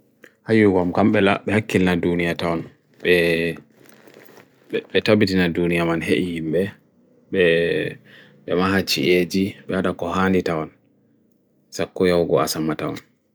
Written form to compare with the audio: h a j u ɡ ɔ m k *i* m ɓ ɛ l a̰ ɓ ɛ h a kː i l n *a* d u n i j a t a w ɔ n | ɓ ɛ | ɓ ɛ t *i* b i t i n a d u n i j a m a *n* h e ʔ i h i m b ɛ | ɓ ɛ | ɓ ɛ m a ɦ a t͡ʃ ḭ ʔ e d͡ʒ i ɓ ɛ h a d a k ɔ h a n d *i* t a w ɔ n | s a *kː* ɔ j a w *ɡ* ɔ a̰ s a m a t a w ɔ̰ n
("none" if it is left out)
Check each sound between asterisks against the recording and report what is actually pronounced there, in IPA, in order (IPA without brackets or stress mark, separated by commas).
a, a, a, n, i, kː, ɡ